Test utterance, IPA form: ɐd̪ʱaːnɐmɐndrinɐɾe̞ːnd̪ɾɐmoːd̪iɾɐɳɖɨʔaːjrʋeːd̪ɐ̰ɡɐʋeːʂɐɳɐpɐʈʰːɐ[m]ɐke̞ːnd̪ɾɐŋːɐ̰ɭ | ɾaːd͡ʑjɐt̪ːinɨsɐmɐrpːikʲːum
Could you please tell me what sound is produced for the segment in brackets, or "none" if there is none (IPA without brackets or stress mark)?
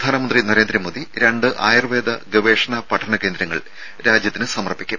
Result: ɳ